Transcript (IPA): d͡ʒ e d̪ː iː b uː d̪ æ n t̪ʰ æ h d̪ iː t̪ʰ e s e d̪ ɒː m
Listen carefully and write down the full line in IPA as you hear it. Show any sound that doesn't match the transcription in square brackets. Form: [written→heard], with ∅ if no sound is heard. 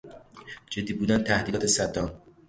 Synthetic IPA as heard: d͡ʒ e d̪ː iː b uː d̪ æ n t̪ʰ æ h d̪ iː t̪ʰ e s [e→æ] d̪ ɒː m

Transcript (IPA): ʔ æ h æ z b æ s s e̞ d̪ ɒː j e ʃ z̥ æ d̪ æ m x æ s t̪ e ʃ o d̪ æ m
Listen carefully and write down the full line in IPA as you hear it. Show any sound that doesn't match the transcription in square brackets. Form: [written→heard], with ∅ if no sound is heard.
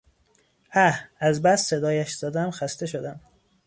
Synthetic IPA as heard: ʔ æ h æ z b æ s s e̞ d̪ ɒː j [e→æ] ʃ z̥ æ d̪ æ m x æ s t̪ e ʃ o d̪ æ m

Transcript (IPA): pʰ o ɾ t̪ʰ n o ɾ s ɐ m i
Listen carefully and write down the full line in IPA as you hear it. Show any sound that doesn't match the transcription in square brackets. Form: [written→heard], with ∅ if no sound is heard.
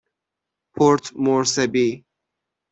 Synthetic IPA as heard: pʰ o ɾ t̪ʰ [n→m] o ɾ s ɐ [m→b] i

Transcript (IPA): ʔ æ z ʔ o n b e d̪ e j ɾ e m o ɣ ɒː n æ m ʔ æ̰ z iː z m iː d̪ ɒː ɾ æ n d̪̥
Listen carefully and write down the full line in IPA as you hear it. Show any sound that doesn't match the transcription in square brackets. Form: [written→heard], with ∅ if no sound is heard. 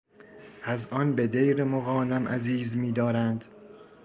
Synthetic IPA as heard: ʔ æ z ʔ [o→ɒ] n b e d̪ e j ɾ e m o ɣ ɒː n æ m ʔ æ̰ z iː z m iː d̪ ɒː ɾ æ n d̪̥

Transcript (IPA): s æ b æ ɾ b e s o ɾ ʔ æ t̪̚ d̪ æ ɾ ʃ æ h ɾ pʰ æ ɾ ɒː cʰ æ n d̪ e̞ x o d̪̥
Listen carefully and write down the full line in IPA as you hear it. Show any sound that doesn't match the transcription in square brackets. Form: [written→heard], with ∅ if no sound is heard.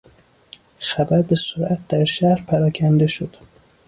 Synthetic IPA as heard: [s→x] æ b æ ɾ b e s o ɾ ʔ æ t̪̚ d̪ æ ɾ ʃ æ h ɾ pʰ æ ɾ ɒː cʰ æ n d̪ e̞ [x→ʃ] o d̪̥

